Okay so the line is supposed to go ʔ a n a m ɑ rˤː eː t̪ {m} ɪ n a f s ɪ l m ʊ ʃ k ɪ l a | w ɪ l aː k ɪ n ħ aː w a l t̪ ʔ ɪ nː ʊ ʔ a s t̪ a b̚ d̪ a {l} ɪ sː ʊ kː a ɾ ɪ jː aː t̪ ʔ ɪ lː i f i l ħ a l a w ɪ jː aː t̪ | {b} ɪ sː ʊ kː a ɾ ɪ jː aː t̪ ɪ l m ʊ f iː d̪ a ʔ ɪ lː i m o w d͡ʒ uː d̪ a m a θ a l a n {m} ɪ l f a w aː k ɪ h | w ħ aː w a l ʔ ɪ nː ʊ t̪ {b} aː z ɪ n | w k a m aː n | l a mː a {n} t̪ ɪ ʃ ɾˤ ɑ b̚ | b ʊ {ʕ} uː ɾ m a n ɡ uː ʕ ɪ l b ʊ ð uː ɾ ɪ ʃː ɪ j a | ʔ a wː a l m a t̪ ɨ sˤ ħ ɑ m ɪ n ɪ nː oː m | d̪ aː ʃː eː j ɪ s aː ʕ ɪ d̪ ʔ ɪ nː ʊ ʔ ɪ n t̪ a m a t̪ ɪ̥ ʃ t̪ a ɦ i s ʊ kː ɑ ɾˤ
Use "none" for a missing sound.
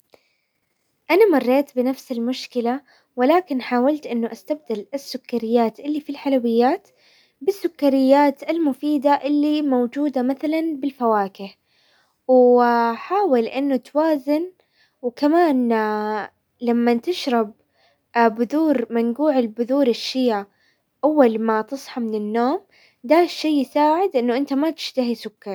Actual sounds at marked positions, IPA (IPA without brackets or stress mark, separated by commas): b, l, b, b, w, n, ð